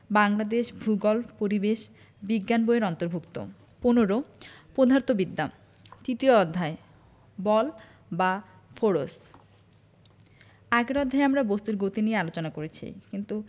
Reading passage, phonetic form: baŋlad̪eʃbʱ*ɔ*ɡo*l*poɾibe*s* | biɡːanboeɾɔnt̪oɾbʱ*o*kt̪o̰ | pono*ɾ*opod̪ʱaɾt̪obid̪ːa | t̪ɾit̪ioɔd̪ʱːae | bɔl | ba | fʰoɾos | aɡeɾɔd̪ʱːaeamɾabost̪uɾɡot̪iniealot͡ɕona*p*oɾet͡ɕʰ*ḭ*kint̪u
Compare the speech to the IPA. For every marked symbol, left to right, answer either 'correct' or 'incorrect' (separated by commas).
incorrect, correct, incorrect, incorrect, correct, incorrect, correct